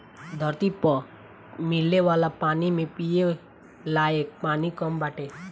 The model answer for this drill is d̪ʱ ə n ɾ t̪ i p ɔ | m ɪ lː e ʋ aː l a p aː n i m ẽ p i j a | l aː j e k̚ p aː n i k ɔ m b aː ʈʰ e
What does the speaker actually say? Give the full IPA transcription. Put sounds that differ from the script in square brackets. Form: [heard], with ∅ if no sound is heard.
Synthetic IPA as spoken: d̪ʱ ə [∅] ɾ t̪ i p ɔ | m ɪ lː e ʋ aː l a p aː n i m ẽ p i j [e] | l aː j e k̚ p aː n i k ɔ m b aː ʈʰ e